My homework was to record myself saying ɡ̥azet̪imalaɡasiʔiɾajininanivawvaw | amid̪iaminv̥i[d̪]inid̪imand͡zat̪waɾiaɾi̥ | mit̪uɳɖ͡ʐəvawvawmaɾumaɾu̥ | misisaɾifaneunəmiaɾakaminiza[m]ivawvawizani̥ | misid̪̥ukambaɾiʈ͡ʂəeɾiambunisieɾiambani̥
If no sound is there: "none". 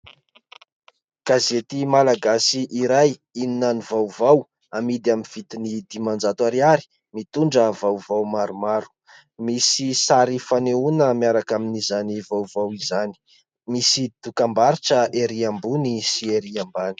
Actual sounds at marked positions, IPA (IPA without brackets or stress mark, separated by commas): t̪, n